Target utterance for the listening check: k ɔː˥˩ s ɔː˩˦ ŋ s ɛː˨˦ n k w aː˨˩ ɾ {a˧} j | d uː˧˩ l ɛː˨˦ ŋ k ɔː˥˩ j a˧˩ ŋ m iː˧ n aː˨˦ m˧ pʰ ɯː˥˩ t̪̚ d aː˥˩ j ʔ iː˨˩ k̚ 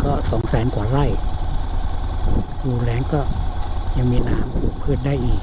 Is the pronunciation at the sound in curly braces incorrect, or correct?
incorrect: a˥˩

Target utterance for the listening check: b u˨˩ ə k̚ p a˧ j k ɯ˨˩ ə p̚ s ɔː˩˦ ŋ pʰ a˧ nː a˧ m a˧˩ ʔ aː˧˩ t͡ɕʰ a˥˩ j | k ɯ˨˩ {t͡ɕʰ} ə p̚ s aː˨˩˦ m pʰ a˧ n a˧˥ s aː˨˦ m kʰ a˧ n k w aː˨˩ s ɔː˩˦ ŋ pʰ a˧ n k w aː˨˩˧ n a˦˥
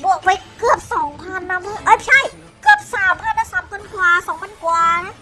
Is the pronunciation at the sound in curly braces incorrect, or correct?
incorrect: none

